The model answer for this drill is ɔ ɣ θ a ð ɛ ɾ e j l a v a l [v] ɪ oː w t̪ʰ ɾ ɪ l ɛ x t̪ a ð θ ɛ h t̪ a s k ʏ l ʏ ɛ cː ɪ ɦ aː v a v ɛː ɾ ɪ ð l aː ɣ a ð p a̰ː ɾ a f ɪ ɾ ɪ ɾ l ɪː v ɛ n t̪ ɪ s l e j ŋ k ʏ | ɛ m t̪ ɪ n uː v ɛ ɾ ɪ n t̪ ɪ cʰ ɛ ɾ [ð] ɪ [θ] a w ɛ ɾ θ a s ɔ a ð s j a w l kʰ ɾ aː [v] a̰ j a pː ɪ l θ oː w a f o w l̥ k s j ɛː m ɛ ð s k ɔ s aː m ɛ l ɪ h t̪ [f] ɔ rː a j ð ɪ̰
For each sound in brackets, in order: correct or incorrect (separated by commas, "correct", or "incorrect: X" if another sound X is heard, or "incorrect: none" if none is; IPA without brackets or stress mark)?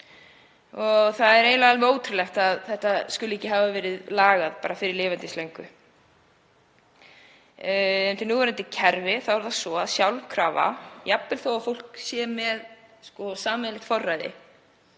correct, incorrect: v, correct, correct, correct